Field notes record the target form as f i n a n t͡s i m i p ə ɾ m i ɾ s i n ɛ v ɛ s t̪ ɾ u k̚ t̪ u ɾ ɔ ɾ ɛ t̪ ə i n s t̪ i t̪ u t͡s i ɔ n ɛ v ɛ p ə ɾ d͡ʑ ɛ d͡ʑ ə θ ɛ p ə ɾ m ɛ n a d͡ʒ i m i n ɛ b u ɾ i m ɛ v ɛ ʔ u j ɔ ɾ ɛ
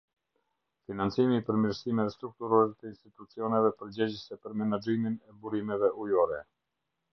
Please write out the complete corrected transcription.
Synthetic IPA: f i n a n t͡s i m i p ə ɾ m i ɾ s i m ɛ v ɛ s t̪ ɾ u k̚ t̪ u ɾ ɔ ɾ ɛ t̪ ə i n s t̪ i t̪ u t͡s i ɔ n ɛ v ɛ p ə ɾ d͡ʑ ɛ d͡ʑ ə s ɛ p ə ɾ m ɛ n a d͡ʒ i m i n ɛ b u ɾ i m ɛ v ɛ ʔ u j ɔ ɾ ɛ